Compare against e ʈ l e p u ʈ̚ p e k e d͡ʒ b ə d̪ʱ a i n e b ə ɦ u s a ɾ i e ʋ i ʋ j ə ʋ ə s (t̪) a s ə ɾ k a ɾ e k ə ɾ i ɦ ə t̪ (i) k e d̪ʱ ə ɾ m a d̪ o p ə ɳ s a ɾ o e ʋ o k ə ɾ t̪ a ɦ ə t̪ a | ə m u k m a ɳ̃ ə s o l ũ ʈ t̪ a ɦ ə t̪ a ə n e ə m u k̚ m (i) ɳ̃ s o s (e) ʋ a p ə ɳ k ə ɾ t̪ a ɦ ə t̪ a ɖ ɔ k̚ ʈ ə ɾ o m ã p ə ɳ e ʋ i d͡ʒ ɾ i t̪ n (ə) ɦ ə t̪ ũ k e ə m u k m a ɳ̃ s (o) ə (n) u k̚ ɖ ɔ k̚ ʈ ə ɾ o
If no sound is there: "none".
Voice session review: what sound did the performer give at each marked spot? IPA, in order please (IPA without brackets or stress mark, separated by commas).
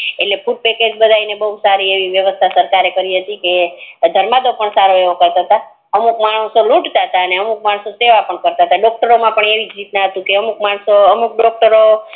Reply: t̪ʰ, i, a, e, a, o, m